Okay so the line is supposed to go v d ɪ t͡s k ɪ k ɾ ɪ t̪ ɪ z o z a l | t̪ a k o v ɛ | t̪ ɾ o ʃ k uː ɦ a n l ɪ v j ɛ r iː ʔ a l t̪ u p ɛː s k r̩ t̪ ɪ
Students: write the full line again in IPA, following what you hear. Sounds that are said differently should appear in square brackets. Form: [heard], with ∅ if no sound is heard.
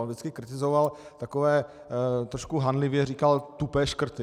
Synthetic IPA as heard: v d ɪ t͡s k ɪ k ɾ ɪ t̪ ɪ z o [v] a l | t̪ a k o v [ɛː] | t̪ ɾ o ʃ k [u] ɦ a n l ɪ v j ɛ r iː [k] a l t̪ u p ɛː [ʃ] k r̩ t̪ ɪ